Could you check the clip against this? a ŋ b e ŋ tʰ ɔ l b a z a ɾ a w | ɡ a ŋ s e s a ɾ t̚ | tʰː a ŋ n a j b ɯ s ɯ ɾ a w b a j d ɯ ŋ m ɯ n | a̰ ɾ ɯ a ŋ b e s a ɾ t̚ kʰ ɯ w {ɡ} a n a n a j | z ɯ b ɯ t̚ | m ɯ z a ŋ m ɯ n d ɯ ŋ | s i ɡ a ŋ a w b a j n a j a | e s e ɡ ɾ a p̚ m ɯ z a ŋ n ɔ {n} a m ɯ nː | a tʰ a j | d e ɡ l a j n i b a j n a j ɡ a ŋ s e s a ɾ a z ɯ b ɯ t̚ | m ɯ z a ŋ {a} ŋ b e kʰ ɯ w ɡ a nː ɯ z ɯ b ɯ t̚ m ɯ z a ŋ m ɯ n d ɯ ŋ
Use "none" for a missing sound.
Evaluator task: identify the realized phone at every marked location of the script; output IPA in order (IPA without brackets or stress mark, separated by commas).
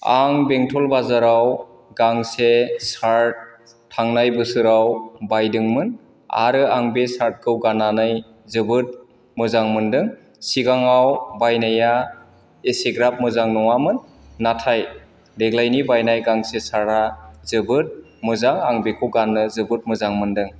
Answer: ɡ, ŋ, a